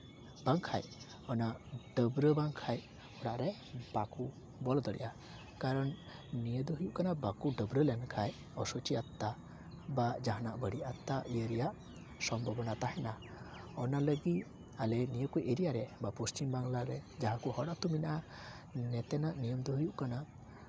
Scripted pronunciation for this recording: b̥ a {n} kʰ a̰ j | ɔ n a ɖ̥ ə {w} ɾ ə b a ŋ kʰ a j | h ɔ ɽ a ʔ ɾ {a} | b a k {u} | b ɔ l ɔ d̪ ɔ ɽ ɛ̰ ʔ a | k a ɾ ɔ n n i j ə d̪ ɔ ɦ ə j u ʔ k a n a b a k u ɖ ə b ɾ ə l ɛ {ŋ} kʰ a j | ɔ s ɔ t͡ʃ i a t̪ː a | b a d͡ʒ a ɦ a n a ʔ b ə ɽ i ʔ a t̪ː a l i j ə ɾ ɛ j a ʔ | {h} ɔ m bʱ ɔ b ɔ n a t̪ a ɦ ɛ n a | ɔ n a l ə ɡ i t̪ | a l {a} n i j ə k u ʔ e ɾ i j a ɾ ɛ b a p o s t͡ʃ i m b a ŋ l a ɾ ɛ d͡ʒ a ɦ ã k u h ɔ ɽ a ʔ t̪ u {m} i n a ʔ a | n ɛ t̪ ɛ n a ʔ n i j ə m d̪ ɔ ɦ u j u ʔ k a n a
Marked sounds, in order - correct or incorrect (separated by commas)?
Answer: incorrect, incorrect, incorrect, correct, incorrect, incorrect, incorrect, correct